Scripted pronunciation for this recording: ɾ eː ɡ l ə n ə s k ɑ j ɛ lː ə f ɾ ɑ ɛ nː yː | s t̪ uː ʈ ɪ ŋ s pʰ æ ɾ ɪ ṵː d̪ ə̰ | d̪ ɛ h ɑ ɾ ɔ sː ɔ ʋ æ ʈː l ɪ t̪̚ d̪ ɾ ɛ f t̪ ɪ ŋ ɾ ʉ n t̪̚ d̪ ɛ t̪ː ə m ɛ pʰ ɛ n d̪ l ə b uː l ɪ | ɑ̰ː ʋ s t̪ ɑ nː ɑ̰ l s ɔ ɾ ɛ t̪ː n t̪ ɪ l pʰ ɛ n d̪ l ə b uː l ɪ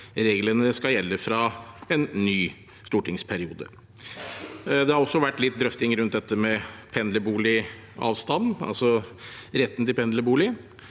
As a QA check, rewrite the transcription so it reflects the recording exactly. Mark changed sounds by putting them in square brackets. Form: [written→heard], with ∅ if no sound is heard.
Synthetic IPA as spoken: ɾ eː ɡ l ə n ə s k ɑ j ɛ lː ə f ɾ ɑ ɛ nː yː | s t̪ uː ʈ ɪ ŋ s pʰ æ ɾ ɪ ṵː d̪ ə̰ | d̪ ɛ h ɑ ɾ ɔ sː ɔ ʋ æ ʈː l ɪ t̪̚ d̪ ɾ [ɛ→œ] f t̪ ɪ ŋ ɾ ʉ n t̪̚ d̪ ɛ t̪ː ə m ɛ pʰ ɛ n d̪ l ə b uː l ɪ | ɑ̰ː ʋ s t̪ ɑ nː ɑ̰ l s ɔ ɾ ɛ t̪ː n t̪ ɪ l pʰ ɛ n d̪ l ə b uː l ɪ